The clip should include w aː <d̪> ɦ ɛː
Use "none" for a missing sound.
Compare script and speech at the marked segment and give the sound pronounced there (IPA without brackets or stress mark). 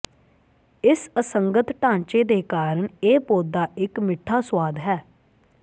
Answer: d̪